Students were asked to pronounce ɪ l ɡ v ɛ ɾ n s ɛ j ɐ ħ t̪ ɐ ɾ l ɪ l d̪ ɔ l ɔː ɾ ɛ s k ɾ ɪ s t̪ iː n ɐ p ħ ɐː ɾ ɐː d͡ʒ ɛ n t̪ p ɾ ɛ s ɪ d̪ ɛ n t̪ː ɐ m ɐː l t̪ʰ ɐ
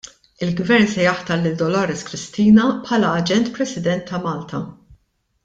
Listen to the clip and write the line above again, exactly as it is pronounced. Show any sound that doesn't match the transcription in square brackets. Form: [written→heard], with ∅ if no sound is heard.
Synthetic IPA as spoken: ɪ l ɡ v ɛ ɾ n s ɛ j ɐ ħ t̪ ɐ ɾ l ɪ l d̪ ɔ l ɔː ɾ ɛ s k ɾ ɪ s t̪ iː n ɐ p ħ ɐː [ɾ→l] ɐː d͡ʒ ɛ n t̪ p ɾ ɛ s ɪ d̪ ɛ n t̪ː ɐ m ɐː l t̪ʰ ɐ